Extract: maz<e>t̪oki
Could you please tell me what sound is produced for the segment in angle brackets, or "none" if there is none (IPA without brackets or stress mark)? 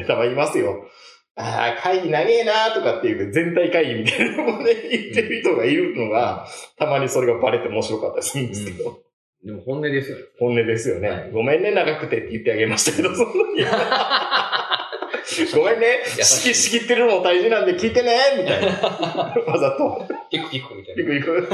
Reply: a